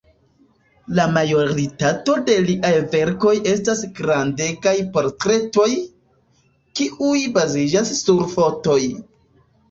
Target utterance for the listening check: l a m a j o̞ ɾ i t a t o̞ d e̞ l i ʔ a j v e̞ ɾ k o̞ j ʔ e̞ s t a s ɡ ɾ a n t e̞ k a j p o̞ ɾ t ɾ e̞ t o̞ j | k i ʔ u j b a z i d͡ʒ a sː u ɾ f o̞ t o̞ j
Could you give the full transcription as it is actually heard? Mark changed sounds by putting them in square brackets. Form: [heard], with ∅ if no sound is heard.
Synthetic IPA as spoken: l a m a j o̞ ɾ i t a t o̞ d e̞ l i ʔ a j v e̞ ɾ k o̞ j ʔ e̞ s t a s ɡ ɾ a n [d] e̞ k a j p o̞ ɾ t ɾ e̞ t o̞ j | k i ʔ u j b a z i d͡ʒ a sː u ɾ f o̞ t o̞ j